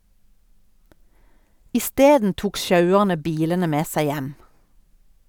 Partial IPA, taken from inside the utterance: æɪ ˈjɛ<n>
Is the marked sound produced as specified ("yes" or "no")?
no